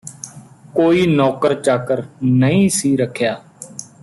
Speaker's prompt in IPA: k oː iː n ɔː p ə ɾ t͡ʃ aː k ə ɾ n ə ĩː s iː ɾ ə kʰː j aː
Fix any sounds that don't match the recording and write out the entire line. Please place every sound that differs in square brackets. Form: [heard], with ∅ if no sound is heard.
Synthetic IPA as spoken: k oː iː n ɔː [k] ə ɾ t͡ʃ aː k ə ɾ n ə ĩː s iː ɾ ə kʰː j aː